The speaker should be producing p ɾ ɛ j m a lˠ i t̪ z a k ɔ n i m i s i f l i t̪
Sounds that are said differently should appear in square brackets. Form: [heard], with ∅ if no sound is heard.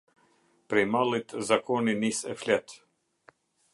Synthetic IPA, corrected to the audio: p ɾ ɛ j m a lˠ i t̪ z a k ɔ n i [n] i s [ɛ] f l [ɛ] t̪